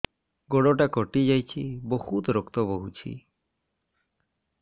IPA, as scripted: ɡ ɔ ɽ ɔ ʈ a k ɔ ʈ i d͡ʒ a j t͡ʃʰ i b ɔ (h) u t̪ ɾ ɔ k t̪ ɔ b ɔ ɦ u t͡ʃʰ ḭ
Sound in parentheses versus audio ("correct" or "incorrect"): correct